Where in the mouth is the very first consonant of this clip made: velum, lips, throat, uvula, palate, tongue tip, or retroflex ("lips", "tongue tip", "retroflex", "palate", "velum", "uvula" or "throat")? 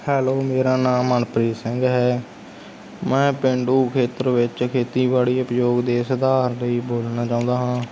throat